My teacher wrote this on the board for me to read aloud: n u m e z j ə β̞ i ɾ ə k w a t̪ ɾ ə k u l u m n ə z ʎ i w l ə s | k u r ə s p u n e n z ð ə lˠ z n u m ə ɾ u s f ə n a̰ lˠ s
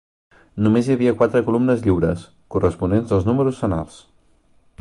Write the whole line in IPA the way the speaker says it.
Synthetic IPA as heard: n u m e z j ə β̞ i ə k w a t̪ ɾ ə k u l u m n ə z ʎ i w ɾ ə s | k u r ə s p u n e n z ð ə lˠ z n u m ə ɾ u s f ə n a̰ lˠ s